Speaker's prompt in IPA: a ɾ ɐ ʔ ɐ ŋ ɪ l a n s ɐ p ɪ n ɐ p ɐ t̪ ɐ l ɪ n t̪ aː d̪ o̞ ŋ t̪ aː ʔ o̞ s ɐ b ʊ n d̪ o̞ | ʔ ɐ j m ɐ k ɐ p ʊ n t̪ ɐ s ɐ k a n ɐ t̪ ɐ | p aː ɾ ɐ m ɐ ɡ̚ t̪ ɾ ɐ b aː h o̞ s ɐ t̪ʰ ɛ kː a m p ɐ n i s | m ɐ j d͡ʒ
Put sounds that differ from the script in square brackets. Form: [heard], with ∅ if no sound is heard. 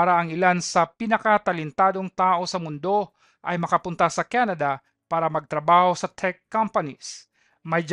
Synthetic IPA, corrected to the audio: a ɾ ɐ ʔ ɐ ŋ ɪ l a n s ɐ p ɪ n ɐ [k] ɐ t̪ ɐ l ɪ n t̪ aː d̪ o̞ ŋ t̪ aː ʔ o̞ s ɐ [m] ʊ n d̪ o̞ | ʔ ɐ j m ɐ k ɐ p ʊ n t̪ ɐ s ɐ k a n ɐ [d̪] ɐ | p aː ɾ ɐ m ɐ ɡ̚ t̪ ɾ ɐ b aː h o̞ s ɐ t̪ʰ ɛ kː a m p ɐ n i s | m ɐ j d͡ʒ